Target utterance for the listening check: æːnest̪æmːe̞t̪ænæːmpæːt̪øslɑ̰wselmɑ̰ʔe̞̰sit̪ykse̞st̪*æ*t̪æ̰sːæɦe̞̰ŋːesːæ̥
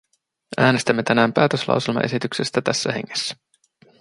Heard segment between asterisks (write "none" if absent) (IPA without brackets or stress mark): æ